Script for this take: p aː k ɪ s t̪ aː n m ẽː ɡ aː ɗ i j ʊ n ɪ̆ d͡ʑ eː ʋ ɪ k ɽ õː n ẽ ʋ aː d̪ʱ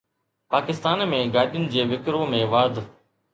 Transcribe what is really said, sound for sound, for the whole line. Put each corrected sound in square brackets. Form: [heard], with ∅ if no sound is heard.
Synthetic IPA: p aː k ɪ s t̪ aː n m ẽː ɡ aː ɗ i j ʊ n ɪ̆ d͡ʑ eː ʋ ɪ k [ɾ] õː [m] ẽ ʋ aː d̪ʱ